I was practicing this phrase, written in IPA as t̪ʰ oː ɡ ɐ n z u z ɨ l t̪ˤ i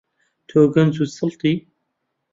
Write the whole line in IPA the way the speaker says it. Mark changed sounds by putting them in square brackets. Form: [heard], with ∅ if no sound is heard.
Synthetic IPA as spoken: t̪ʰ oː ɡ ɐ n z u [s] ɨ l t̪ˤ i